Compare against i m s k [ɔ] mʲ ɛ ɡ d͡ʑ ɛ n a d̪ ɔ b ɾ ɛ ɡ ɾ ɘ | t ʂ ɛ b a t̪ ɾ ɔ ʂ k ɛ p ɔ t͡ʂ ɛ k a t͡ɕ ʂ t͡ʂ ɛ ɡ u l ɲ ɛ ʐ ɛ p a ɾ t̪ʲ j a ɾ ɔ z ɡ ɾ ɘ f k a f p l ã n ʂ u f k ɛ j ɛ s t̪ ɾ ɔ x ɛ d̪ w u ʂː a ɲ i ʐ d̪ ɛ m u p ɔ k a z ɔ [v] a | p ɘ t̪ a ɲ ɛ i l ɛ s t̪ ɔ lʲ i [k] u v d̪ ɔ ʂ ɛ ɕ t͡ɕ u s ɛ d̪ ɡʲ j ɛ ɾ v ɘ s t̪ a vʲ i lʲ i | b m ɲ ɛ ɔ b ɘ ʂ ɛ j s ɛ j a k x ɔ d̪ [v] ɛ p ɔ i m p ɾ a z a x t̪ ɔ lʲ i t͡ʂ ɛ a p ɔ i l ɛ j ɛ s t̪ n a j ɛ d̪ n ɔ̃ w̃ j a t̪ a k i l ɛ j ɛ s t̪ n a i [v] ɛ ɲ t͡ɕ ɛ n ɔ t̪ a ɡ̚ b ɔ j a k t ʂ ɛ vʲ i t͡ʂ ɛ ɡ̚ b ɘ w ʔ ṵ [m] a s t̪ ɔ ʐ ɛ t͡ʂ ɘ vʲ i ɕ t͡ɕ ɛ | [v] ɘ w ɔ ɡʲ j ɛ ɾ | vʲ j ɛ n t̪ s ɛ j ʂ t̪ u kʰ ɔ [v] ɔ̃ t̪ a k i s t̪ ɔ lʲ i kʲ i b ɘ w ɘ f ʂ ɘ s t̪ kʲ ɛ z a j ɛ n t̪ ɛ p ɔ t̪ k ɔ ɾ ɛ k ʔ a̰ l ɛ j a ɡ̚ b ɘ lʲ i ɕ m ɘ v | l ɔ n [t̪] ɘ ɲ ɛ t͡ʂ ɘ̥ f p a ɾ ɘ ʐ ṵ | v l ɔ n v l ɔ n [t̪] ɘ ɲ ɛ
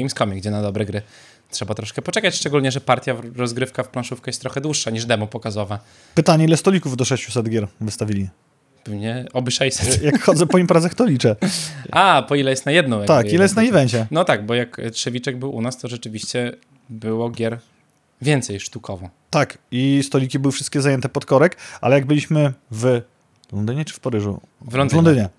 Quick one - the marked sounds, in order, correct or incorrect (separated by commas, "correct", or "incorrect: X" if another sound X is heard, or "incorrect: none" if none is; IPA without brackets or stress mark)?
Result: correct, correct, correct, incorrect: z, correct, incorrect: n, incorrect: b, correct, incorrect: d̪, incorrect: d̪